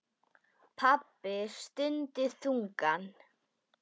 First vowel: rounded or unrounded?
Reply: unrounded